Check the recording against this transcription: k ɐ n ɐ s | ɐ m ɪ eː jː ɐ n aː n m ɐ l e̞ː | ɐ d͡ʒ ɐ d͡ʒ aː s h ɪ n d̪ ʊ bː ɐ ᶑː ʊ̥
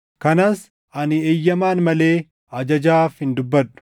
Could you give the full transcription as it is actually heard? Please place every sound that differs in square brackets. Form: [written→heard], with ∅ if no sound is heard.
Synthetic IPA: k ɐ n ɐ s | ɐ [m→n] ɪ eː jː ɐ [n→m] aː n m ɐ l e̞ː | ɐ d͡ʒ ɐ d͡ʒ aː [s→f] h ɪ n d̪ ʊ bː ɐ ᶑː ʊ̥

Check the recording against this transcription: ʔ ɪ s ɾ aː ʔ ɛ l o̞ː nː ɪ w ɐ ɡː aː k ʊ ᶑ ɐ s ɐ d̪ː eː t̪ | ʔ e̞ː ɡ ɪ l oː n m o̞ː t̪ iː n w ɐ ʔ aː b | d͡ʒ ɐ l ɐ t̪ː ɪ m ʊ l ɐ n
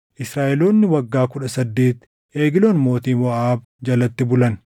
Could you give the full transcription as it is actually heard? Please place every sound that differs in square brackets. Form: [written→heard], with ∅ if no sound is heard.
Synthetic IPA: ʔ ɪ s ɾ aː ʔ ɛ l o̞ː nː ɪ w ɐ ɡː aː k ʊ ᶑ ɐ s ɐ d̪ː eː t̪ | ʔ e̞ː ɡ ɪ l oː n m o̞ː t̪ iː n w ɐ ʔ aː b | d͡ʒ ɐ l ɐ t̪ː ɪ [m→b] ʊ l ɐ n

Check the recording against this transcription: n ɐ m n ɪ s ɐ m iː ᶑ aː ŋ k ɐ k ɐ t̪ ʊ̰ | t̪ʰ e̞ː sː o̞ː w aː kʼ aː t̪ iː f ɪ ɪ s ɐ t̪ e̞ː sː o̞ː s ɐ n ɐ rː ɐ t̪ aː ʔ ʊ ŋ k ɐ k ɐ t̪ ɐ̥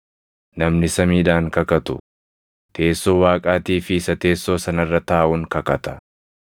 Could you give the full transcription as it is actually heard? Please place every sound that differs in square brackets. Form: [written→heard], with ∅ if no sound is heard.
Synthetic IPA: n ɐ m n ɪ s ɐ m iː ᶑ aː ŋ k ɐ k ɐ t̪ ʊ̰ | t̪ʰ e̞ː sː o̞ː w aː kʼ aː t̪ iː f ɪ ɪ s ɐ t̪ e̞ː sː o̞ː s ɐ n ɐ rː ɐ t̪ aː ʔ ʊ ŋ k ɐ k ɐ t̪ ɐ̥

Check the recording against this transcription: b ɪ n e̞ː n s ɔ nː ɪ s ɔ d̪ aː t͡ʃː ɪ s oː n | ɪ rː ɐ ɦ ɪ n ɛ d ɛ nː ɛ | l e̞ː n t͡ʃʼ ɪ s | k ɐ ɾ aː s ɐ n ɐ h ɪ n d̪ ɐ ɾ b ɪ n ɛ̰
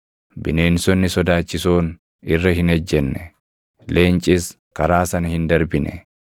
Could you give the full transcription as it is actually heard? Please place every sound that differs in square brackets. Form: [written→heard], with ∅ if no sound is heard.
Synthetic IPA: b ɪ n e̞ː n s ɔ nː ɪ s ɔ d̪ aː t͡ʃː ɪ s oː n | ɪ rː ɐ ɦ ɪ n ɛ [d→d͡ʒː] ɛ nː ɛ | l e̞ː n t͡ʃʼ ɪ s | k ɐ ɾ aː s ɐ n ɐ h ɪ n d̪ ɐ ɾ b ɪ n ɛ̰

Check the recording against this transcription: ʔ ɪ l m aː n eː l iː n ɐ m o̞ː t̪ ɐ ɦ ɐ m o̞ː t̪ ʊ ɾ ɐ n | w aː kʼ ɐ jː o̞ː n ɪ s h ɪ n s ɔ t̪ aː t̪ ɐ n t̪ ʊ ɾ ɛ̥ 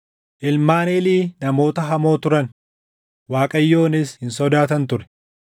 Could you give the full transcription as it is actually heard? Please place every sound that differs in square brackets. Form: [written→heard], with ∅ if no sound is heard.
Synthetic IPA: ʔ ɪ l m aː n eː l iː n ɐ m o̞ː t̪ ɐ ɦ ɐ m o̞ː t̪ ʊ ɾ ɐ n | w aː kʼ ɐ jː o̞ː n ɪ s h ɪ n s ɔ [t̪→d̪] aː t̪ ɐ n t̪ ʊ ɾ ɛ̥

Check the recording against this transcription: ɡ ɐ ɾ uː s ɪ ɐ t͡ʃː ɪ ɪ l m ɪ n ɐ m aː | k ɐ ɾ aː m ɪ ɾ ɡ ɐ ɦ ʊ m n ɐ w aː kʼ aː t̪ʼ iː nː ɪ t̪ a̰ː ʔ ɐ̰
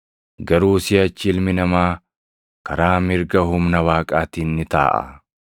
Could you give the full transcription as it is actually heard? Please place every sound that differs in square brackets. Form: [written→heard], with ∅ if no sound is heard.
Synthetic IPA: ɡ ɐ ɾ uː s ɪ ɐ t͡ʃː ɪ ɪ l m ɪ n ɐ m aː | k ɐ ɾ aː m ɪ ɾ ɡ ɐ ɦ ʊ m n ɐ w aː kʼ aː [t̪ʼ→t̪] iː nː ɪ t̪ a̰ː ʔ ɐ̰

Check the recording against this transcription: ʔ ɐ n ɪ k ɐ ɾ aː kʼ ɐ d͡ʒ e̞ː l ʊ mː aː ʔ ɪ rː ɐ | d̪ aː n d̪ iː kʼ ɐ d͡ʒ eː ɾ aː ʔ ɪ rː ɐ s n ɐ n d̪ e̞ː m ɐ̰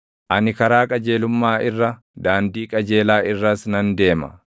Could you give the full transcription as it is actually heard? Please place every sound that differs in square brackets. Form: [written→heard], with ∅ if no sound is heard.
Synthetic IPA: ʔ ɐ n ɪ k ɐ ɾ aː kʼ ɐ d͡ʒ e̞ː l ʊ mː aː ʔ ɪ rː ɐ | d̪ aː n d̪ iː kʼ ɐ d͡ʒ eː [ɾ→l] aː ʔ ɪ rː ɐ s n ɐ n d̪ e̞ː m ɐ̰

